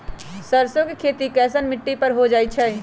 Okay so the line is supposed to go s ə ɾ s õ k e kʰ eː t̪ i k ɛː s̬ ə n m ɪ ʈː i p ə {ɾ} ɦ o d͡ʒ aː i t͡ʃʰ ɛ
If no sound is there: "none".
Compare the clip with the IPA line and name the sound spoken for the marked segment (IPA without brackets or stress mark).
ɾ